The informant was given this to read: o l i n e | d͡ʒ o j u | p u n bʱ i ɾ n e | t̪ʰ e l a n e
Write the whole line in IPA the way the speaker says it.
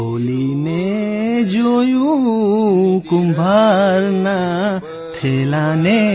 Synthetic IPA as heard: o l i n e | d͡ʒ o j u | k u m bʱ a ɾ n a | t̪ʰ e l a n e